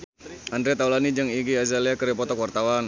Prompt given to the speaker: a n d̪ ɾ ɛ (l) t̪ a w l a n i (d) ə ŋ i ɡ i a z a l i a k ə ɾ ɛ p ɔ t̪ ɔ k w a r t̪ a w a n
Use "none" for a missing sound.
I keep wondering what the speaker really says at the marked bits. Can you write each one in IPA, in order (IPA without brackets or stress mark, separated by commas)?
none, d͡ʒ